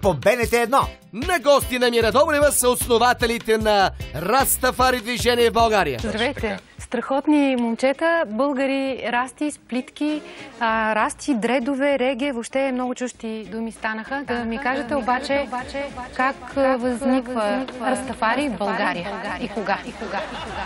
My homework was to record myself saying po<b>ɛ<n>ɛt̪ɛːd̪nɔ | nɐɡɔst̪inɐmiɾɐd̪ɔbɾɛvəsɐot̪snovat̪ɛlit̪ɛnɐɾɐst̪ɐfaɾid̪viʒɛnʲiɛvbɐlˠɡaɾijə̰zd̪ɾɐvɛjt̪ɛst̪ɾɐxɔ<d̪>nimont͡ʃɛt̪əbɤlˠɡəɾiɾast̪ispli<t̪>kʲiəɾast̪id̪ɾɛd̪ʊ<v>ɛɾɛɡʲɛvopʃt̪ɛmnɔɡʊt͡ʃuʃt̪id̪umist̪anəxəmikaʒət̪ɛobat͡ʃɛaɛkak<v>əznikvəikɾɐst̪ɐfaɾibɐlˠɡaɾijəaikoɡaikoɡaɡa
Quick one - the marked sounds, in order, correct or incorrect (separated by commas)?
correct, correct, incorrect, correct, correct, correct